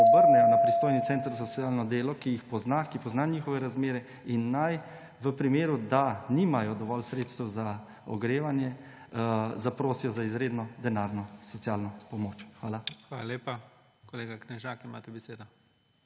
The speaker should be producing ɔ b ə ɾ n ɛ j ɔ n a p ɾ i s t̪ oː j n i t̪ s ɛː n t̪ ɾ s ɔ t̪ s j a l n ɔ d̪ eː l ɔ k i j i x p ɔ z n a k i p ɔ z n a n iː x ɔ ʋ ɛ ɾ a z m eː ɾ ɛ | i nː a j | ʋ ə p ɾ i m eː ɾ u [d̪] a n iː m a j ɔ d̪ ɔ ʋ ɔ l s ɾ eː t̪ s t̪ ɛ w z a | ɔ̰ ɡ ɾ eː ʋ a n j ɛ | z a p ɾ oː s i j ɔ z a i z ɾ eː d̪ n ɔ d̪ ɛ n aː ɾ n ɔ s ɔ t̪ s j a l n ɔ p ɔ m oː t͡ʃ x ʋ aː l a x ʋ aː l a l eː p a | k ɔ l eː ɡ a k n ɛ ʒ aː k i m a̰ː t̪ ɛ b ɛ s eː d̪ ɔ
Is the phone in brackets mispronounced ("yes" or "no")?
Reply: no